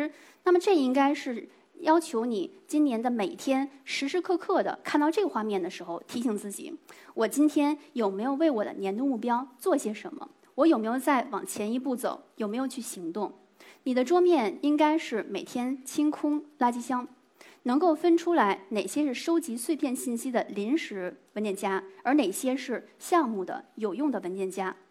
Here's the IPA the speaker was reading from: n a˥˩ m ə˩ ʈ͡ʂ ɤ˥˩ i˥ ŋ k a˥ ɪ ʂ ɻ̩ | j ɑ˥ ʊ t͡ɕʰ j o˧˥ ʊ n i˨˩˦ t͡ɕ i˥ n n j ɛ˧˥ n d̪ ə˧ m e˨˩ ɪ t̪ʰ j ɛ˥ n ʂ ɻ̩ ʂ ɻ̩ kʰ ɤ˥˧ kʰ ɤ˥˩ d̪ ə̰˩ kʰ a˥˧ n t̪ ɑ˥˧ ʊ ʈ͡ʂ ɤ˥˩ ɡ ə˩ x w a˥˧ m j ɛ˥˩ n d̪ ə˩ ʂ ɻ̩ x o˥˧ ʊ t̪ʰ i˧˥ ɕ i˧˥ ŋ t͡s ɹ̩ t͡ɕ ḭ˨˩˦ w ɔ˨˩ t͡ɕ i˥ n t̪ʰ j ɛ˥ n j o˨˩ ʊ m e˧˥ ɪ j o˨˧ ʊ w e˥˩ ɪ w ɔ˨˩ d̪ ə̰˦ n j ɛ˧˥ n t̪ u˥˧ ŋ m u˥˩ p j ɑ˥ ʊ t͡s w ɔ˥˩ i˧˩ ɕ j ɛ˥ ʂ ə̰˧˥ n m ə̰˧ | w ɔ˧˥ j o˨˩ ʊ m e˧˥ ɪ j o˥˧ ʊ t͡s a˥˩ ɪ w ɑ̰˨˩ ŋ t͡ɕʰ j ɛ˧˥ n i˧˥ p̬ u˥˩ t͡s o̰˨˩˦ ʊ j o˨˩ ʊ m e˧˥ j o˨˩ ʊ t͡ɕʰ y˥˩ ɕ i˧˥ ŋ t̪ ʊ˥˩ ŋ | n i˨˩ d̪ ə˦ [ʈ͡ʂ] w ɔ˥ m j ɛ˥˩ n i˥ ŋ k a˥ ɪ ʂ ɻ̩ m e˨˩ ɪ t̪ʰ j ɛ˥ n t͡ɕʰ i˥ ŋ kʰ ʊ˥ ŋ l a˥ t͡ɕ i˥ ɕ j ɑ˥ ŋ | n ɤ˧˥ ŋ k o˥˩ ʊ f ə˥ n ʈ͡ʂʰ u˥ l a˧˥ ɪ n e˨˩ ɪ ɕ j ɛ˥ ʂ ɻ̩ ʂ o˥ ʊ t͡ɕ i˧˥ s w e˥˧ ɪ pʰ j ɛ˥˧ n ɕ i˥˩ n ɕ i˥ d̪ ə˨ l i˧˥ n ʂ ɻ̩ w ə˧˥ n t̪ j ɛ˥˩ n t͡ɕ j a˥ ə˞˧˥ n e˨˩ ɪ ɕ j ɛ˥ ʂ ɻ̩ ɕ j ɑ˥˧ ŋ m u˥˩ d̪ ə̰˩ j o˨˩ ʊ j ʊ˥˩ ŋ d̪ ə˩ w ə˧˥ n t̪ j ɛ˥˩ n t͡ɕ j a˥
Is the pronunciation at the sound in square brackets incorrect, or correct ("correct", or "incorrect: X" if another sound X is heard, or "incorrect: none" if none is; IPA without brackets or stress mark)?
correct